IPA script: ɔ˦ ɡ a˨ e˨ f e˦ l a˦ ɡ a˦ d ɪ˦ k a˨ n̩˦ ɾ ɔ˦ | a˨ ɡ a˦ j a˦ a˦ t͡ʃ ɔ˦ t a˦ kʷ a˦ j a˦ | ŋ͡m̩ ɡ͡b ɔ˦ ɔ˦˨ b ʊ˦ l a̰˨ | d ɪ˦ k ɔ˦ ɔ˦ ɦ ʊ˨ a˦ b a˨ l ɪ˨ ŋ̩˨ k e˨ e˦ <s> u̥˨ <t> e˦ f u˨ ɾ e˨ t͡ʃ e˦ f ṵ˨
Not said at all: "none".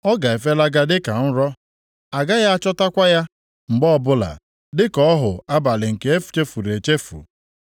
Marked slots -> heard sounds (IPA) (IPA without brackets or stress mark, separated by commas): f, t͡ʃ